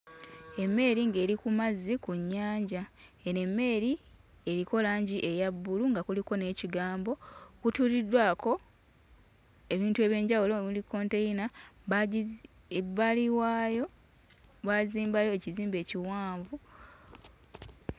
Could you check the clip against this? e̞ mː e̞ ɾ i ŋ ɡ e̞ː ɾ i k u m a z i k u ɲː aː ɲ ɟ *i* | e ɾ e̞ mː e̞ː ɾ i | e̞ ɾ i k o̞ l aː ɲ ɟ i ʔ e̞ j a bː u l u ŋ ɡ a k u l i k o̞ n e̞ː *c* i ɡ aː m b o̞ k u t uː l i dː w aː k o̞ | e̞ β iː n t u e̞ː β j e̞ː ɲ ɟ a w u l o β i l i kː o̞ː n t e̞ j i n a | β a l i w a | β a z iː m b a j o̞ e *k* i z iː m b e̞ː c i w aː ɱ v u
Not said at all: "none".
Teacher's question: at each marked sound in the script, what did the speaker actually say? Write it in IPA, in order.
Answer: a, c, c

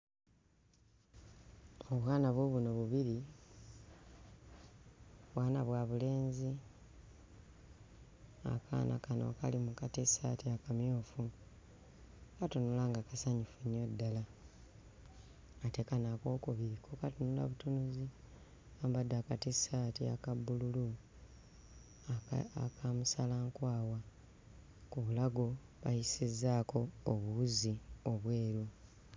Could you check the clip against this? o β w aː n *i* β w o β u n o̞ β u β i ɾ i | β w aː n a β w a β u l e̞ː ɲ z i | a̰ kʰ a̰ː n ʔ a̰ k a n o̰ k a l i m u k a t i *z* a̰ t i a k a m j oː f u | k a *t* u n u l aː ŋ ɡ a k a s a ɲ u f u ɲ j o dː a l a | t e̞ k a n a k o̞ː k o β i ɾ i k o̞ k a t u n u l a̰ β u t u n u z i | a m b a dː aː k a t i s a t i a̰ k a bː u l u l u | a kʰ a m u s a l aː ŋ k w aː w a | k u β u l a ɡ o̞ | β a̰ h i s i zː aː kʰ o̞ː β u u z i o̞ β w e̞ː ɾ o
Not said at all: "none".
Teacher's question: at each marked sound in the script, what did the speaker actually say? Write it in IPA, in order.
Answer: a, s, t

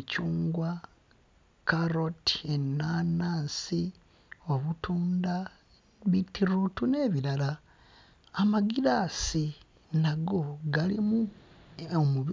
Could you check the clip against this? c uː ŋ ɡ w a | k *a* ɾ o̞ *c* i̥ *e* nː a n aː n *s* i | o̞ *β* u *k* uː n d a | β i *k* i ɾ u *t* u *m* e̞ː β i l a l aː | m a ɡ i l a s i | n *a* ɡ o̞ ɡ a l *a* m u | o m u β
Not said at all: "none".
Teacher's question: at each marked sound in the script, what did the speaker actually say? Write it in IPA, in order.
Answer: a, t, e, s, β, t, t, t, n, a, i

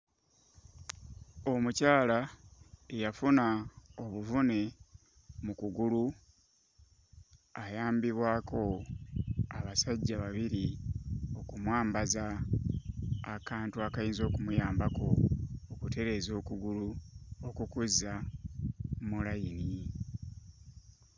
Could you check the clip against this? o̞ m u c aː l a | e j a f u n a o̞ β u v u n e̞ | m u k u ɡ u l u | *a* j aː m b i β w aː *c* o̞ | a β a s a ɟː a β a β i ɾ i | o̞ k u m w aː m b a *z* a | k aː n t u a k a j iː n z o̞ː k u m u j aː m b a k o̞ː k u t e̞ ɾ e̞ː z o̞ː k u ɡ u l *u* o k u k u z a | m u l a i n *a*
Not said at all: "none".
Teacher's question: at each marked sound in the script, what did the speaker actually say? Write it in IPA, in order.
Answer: a, k, z, u, i

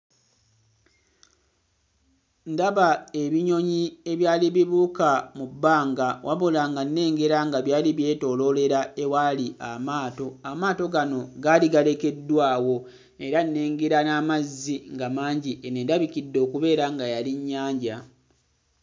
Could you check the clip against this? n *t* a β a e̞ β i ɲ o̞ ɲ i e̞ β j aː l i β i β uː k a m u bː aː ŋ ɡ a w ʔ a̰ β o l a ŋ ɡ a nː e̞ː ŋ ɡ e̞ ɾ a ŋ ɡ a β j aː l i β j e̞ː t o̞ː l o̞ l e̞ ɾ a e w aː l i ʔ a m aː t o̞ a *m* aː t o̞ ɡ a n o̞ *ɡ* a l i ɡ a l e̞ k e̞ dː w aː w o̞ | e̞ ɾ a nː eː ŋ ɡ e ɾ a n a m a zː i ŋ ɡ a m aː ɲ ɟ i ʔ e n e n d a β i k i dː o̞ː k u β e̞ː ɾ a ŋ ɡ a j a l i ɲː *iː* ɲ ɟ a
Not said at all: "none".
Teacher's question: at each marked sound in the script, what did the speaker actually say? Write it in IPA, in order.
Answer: d, m, ɡ, aː

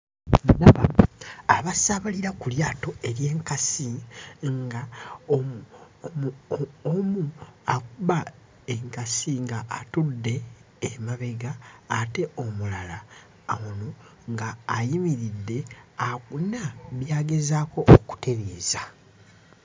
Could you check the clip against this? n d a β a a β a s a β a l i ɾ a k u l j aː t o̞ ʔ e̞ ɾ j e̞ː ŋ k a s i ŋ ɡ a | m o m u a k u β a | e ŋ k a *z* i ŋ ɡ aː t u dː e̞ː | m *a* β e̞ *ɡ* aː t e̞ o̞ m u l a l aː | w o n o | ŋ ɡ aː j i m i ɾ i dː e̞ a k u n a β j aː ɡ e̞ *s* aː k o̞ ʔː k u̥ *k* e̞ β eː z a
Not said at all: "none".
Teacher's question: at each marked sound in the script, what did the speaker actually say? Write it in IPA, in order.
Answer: s, a, ɡ, z, t

